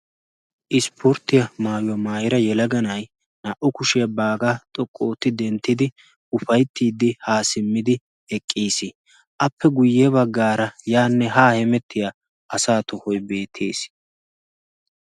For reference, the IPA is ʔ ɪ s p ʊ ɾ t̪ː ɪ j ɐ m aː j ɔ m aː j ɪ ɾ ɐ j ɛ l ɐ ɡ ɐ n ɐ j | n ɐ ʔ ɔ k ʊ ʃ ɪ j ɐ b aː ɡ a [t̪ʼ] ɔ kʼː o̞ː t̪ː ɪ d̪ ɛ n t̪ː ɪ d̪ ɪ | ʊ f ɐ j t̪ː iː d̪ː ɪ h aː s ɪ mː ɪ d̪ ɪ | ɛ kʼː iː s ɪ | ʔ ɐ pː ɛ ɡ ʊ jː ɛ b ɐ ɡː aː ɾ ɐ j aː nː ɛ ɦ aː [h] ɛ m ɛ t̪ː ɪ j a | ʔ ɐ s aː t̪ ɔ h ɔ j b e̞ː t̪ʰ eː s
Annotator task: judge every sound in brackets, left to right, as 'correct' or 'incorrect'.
correct, correct

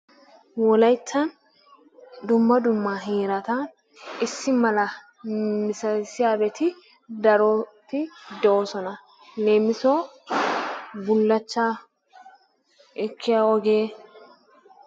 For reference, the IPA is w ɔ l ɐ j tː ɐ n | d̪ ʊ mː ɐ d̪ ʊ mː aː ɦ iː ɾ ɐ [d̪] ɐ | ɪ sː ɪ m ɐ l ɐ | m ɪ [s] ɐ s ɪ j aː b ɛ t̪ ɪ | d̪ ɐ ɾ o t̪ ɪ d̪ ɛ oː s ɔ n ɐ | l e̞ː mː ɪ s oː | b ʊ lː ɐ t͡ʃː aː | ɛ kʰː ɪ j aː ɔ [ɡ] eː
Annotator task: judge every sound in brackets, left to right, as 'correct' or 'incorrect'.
incorrect, correct, correct

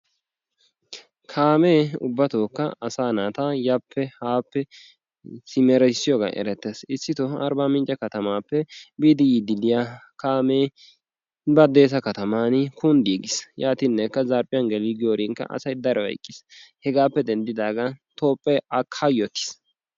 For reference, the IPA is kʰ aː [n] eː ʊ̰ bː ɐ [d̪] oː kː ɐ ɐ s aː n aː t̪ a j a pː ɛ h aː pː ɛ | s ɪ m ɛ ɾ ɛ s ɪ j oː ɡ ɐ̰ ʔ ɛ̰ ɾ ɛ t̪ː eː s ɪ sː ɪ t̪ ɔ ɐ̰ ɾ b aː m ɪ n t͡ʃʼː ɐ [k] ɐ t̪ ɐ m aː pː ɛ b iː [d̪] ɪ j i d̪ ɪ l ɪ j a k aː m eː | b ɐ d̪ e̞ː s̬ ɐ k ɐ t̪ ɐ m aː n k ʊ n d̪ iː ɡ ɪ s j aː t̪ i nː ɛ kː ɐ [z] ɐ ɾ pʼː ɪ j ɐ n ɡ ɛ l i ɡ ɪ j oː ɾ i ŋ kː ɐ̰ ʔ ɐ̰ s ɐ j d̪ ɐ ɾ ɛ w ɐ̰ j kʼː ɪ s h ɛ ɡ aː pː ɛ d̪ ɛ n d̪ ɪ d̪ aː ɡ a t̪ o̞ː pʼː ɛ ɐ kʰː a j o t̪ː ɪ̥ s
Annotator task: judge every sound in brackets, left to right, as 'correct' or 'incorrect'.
incorrect, incorrect, correct, correct, correct

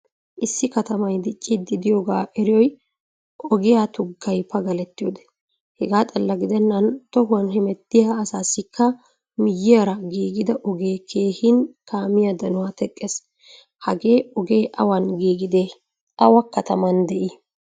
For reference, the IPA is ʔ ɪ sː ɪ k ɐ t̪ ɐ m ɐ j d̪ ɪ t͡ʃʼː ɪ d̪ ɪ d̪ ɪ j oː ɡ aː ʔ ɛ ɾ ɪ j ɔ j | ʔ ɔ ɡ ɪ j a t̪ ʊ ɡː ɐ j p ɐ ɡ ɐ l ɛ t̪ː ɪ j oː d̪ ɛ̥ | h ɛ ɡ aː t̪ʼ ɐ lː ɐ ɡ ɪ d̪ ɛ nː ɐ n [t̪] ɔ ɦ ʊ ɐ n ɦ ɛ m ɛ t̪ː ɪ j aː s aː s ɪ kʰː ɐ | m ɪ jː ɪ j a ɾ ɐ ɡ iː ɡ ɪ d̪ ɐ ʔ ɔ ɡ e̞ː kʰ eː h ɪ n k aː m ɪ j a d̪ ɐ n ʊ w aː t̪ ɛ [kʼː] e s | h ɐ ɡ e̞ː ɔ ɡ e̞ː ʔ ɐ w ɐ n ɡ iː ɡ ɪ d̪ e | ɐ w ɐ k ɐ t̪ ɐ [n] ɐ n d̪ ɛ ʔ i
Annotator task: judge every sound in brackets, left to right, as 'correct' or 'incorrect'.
correct, correct, incorrect

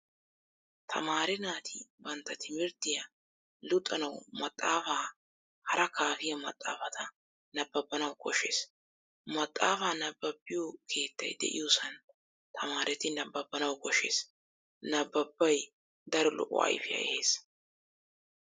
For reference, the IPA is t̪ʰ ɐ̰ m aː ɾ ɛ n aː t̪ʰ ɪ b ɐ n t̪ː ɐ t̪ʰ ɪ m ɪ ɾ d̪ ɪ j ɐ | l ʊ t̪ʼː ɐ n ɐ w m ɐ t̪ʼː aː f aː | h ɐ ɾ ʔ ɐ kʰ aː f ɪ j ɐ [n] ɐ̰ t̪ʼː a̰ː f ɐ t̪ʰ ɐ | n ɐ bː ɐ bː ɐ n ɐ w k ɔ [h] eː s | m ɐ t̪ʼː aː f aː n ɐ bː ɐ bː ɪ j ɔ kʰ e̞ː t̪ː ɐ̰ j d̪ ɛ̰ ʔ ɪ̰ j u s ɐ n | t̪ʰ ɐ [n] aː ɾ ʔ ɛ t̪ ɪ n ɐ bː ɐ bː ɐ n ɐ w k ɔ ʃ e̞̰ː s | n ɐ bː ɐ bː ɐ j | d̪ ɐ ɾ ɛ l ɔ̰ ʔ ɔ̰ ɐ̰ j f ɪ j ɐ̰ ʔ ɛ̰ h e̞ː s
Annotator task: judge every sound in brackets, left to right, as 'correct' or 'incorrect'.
incorrect, incorrect, incorrect

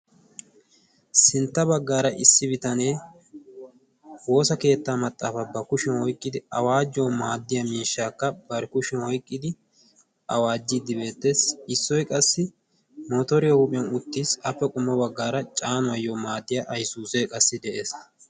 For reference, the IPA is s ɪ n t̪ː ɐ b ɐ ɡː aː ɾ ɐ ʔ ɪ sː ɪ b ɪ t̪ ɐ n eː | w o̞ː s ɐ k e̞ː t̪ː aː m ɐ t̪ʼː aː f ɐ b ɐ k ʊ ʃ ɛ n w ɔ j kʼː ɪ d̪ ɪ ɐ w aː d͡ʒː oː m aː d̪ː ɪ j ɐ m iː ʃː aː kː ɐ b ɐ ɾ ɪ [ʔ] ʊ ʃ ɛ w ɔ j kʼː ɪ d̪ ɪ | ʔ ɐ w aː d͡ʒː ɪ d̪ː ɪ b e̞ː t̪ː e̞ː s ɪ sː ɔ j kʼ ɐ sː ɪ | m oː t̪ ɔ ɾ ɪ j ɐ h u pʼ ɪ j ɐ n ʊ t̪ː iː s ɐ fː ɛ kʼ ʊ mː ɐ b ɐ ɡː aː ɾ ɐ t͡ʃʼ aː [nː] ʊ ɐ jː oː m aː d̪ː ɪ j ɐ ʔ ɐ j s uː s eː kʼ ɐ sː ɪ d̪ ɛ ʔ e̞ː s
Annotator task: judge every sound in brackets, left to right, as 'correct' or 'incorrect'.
incorrect, incorrect

